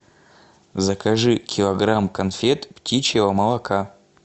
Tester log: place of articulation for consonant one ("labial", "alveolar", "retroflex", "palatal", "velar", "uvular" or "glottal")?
alveolar